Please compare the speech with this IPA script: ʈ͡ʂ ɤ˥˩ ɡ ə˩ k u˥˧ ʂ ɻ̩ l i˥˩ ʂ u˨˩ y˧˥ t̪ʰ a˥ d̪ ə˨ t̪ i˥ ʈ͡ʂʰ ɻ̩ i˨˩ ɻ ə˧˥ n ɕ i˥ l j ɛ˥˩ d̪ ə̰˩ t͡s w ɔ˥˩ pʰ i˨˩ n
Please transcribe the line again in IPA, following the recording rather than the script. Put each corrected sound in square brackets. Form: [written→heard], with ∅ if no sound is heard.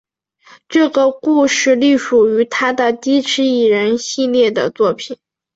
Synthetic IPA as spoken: ʈ͡ʂ ɤ˥˩ ɡ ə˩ k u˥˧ ʂ ɻ̩ l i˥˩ ʂ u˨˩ y˧˥ t̪ʰ a˥ d̪ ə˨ t̪ i˥ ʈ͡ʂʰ ɻ̩ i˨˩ ɻ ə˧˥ n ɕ [i˥→i˥˧] l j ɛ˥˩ d̪ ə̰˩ t͡s w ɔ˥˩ pʰ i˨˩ n